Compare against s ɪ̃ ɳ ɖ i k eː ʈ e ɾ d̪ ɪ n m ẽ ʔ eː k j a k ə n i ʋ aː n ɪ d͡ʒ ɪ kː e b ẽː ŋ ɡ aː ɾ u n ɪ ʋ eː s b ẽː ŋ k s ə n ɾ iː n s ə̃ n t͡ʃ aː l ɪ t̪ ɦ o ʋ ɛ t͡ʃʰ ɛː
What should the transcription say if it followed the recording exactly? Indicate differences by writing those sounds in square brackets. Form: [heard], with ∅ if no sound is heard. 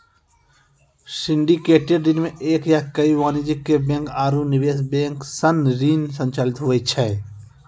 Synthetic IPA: s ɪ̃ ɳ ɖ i k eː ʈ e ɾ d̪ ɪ n m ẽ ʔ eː k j a k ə [∅] i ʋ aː n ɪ d͡ʒ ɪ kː e b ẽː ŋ [k] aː ɾ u n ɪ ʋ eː s b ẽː ŋ k s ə n ɾ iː n s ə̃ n t͡ʃ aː l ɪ t̪ ɦ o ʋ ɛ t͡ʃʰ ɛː